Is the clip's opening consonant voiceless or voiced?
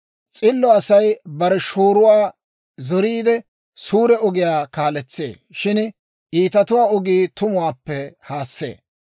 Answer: voiceless